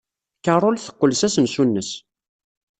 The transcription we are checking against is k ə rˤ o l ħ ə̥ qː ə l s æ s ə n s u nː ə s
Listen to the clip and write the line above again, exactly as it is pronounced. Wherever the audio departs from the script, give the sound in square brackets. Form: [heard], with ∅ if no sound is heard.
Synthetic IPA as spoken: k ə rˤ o l [θ] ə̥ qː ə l s æ s ə n s u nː ə s